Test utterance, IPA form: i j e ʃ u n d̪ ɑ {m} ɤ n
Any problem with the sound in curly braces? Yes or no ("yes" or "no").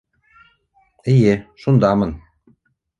no